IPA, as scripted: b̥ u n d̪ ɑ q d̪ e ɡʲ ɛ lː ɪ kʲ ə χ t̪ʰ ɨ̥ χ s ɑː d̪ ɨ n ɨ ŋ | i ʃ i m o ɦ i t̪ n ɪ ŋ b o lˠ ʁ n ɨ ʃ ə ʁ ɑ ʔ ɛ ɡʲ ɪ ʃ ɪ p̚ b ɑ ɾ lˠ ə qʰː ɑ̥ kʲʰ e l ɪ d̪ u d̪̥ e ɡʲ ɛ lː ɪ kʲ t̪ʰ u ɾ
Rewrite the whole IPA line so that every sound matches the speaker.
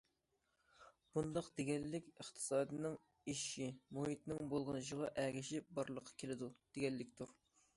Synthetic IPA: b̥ u n d̪ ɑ q d̪ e ɡʲ ɛ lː ɪ kʲ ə χ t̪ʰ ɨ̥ s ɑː d̪ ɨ n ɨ ŋ | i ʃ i m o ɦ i t̪ n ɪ ŋ b o lˠ ʁ n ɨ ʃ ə ʁ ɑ ʔ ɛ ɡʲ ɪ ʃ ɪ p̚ b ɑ ɾ lˠ ə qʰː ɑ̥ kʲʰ e l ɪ d̪ u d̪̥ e ɡʲ ɛ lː ɪ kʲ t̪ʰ u ɾ